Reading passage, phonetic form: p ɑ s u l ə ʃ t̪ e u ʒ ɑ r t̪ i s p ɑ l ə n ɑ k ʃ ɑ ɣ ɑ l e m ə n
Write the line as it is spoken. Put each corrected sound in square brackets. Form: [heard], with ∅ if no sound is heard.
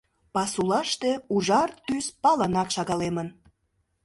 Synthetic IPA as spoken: p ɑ s u l [ɑ] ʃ t̪ e u ʒ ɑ r t̪ [y] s p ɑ l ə n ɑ k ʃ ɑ ɣ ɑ l e m ə n